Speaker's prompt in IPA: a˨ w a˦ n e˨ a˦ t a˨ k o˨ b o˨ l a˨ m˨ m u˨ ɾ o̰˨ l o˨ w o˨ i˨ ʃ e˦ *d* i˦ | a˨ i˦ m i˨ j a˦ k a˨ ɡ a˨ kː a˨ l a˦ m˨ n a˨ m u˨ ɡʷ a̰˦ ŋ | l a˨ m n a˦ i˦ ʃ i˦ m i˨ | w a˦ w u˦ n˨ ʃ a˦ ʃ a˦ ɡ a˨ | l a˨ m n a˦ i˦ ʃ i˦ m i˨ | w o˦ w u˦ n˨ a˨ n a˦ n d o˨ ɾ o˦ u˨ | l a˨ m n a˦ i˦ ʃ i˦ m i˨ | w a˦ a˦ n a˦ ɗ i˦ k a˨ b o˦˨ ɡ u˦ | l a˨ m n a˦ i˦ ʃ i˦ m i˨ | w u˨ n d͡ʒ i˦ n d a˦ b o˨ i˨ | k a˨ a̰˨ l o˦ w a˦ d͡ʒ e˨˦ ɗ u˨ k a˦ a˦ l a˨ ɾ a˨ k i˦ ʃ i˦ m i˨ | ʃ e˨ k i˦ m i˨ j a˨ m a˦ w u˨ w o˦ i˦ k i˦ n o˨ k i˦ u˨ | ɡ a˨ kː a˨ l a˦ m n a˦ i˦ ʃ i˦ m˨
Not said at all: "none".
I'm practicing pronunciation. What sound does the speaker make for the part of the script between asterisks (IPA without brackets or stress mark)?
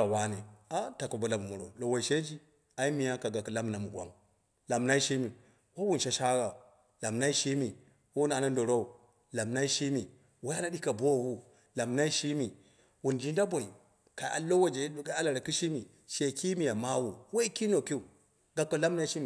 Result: d͡ʒ